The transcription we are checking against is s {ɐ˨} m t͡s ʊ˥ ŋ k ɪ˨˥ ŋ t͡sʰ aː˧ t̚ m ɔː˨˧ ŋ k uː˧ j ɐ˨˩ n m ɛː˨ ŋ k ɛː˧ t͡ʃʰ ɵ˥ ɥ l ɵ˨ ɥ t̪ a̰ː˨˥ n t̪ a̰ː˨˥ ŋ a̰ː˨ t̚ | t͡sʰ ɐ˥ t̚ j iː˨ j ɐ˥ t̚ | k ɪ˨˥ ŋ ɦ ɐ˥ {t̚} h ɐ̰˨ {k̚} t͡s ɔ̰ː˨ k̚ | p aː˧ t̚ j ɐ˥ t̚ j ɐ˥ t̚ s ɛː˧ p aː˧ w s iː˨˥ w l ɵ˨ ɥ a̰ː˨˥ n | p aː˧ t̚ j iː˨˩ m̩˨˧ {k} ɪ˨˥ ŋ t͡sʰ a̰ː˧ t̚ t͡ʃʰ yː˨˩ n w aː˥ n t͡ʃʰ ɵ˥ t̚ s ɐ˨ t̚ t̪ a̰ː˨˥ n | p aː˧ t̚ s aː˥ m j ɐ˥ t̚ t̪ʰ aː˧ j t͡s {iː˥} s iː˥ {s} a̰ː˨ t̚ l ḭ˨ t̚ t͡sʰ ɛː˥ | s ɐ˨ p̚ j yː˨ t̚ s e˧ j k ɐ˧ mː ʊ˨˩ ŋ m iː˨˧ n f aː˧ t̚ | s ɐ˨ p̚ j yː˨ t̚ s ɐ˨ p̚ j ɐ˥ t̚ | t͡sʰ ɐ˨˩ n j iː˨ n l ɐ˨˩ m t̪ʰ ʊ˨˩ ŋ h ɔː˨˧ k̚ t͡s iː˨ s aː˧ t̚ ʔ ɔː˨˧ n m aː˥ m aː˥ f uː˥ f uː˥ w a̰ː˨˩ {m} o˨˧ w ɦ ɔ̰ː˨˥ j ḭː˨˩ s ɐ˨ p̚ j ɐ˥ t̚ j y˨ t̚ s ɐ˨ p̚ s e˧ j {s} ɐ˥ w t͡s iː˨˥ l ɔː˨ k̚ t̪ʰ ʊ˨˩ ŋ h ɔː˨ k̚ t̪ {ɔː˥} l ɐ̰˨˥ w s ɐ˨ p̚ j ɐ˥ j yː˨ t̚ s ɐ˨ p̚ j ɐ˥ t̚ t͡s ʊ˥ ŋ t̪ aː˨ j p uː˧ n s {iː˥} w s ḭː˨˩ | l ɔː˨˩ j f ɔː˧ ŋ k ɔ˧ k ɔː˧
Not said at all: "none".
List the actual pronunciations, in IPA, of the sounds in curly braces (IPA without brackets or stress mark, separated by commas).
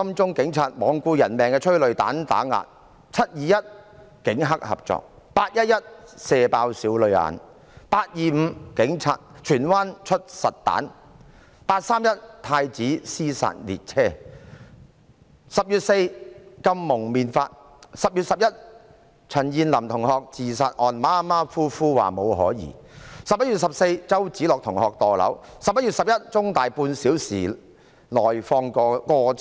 ɐ˥, k̚, p̚, k, iː˨˥, s, m, t͡s, ɔː˨˩, iː˨˥